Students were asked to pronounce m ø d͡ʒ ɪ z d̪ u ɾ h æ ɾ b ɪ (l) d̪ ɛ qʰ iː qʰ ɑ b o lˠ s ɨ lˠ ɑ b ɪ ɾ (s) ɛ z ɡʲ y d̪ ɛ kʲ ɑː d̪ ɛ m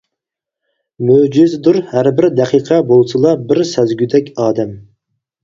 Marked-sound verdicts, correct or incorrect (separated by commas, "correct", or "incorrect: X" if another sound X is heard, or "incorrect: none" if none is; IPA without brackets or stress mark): incorrect: ɾ, correct